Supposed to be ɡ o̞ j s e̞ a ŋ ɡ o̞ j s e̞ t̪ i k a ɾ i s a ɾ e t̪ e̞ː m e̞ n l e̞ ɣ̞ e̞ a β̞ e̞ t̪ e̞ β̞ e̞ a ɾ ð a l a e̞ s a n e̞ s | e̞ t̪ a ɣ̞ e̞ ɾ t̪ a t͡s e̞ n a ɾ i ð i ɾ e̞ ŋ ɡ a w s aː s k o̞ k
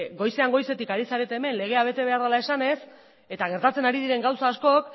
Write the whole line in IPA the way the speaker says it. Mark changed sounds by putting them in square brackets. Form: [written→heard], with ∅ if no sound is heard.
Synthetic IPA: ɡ o̞ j s e̞ a ŋ ɡ o̞ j s e̞ t̪ i k a ɾ i s a ɾ e t̪ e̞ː m e̞ n l e̞ ɣ̞ e̞ a β̞ e̞ t̪ e̞ β̞ e̞ a ɾ ð a l a e̞ s a n e̞ s | e̞ t̪ a ɣ̞ e̞ ɾ t̪ a t͡s e̞ n a ɾ i ð i ɾ e̞ ŋ ɡ a w s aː s k o̞ k